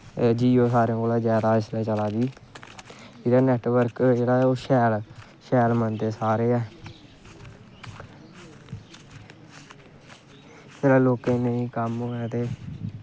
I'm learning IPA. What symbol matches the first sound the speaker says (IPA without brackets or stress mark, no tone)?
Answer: d͡ʒ